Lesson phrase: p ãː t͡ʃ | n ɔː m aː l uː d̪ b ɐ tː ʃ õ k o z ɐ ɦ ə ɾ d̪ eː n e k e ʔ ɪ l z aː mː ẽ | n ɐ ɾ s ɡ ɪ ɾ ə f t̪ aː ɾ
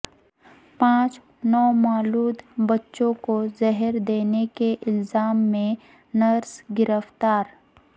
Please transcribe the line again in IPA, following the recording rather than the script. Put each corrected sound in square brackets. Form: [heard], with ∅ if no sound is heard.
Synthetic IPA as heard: p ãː t͡ʃ | n ɔː m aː l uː d̪ b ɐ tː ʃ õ k o z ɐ ɦ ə ɾ d̪ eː n e k e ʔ ɪ l z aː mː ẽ | n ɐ ɾ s ɡ ɪ ɾ ə f t̪ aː ɾ